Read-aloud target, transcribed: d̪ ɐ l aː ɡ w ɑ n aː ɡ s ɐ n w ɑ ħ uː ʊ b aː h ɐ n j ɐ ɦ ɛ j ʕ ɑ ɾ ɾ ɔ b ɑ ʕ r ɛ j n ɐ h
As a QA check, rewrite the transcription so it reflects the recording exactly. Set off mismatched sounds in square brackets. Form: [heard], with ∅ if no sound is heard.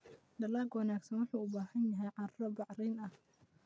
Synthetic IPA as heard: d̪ ɐ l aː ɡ w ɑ n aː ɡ s ɐ n w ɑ ħ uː ʊ b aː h ɐ n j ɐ ɦ ɛ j ʕ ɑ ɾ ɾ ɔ b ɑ ʕ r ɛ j n ɐ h